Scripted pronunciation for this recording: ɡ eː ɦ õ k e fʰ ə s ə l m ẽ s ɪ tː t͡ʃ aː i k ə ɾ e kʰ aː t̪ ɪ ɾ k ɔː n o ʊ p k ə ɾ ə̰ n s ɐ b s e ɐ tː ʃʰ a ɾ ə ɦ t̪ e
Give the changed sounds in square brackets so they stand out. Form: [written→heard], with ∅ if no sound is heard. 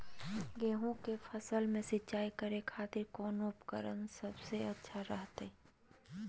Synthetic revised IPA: ɡ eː ɦ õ k e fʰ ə s ə l m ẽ s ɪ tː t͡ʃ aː i k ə ɾ e kʰ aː t̪ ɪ ɾ k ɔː n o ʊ p k ə ɾ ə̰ n s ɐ b s e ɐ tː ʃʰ a ɾ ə ɦ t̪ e

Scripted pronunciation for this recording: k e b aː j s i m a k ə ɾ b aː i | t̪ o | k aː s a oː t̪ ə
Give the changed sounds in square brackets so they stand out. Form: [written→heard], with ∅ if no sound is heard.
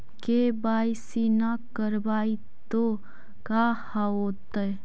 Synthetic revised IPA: k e b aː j s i [m→n] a k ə ɾ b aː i | t̪ o | k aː [s→h] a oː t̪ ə

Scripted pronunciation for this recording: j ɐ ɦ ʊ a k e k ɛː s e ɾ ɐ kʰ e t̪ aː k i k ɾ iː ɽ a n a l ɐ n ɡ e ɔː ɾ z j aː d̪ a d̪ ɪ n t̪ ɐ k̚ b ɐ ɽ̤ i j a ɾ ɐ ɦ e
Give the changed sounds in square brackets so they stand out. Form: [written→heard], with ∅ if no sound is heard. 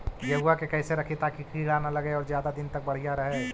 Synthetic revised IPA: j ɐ ɦ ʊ a k e k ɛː s e ɾ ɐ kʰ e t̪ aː k i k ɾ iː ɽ a n a l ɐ [n→∅] ɡ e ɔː ɾ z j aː d̪ a d̪ ɪ n t̪ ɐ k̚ b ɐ ɽ̤ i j a ɾ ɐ ɦ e

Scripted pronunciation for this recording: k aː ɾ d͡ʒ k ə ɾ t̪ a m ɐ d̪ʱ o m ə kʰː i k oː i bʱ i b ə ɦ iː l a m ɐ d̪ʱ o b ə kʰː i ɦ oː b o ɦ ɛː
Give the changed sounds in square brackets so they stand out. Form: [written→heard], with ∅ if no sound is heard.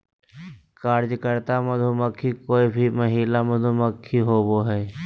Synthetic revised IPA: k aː ɾ d͡ʒ k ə ɾ t̪ a m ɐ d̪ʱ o m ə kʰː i k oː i bʱ i [b→m] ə ɦ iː l a m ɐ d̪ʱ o [b→m] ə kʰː i ɦ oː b o ɦ ɛː

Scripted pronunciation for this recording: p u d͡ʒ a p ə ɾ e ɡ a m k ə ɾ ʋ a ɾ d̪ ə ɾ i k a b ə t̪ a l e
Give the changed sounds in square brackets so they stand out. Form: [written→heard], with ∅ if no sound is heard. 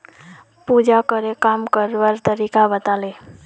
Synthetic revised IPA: p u d͡ʒ a [p→k] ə ɾ e [ɡ→k] a m k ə ɾ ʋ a ɾ [d̪→t̪] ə ɾ i k a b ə t̪ a l e

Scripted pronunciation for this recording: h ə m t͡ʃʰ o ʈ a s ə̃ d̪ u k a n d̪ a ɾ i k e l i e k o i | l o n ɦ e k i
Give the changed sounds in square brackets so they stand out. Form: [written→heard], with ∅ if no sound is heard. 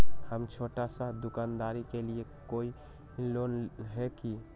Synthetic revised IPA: h ə m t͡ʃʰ o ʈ a s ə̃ d̪ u k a n d̪ a ɾ i k e l i e k o i | l o n ɦ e k i

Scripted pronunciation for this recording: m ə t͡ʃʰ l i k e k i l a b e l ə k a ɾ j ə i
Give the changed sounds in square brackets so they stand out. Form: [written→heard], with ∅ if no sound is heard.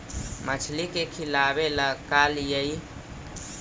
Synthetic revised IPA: m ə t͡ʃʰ l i k e [k→kʰ] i l a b e l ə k a [ɾ→l] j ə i

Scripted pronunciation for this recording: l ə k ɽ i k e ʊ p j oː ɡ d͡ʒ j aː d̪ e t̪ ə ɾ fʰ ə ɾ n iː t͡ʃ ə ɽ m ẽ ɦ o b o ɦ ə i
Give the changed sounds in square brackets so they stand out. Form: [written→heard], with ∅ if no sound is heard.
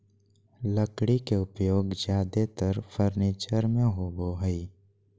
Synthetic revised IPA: l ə k ɽ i k e ʊ p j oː ɡ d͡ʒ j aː d̪ e t̪ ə ɾ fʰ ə ɾ n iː t͡ʃ ə [ɽ→ɾ] m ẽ ɦ o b o ɦ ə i

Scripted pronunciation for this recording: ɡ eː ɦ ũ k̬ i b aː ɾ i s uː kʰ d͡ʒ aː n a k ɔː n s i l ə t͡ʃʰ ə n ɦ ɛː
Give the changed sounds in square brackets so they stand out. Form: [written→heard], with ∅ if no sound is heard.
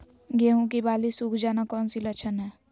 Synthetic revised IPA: ɡ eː ɦ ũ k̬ i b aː [ɾ→l] i s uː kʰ d͡ʒ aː n a k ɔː n s i l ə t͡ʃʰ ə n ɦ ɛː

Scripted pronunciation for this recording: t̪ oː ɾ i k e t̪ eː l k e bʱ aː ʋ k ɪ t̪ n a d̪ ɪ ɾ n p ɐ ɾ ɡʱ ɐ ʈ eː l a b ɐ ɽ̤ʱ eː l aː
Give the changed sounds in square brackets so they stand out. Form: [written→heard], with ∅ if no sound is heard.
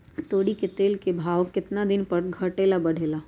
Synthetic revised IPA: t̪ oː [ɾ→ɽ] i k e t̪ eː l k e bʱ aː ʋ k ɪ t̪ n a d̪ ɪ [ɾ→∅] n p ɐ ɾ ɡʱ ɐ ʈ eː l a b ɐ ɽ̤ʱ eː l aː

